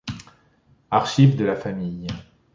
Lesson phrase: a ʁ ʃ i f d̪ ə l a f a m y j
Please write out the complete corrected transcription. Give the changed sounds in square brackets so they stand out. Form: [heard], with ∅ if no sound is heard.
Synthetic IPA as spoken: a ʁ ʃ i [v] d̪ ə l a f a m [i] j